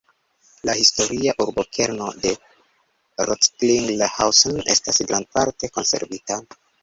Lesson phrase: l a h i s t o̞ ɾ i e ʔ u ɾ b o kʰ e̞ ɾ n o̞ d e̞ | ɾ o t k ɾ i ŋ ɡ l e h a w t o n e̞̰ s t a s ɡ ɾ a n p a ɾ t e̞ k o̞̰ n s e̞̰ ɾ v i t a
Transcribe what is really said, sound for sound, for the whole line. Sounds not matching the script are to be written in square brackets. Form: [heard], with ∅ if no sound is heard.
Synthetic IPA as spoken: l a h i s t o̞ ɾ i [a] ʔ u ɾ b o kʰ e̞ ɾ n o̞ d e̞ | ɾ o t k [l] i ŋ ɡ l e h a w [s] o n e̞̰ s t a s ɡ ɾ a n p a ɾ t e̞ k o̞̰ n s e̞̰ ɾ v i t a